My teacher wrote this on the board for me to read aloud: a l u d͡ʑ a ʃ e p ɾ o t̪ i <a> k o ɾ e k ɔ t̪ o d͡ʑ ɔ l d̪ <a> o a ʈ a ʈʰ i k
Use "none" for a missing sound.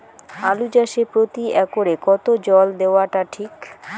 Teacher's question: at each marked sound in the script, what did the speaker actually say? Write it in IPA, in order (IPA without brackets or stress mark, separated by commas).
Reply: ɛ, e